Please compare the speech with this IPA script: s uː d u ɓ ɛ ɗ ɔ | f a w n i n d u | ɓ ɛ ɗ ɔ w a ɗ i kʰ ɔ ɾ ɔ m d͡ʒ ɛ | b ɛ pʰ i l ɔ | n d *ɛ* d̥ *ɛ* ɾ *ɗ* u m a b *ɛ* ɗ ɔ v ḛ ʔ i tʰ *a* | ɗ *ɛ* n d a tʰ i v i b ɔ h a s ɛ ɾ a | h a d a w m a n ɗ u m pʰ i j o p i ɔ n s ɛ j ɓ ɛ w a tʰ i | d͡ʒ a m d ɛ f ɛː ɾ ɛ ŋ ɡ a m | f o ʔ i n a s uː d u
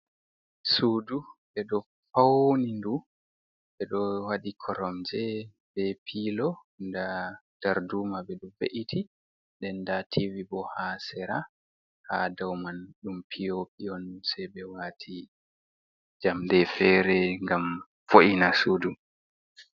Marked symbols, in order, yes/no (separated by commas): no, no, no, yes, no, yes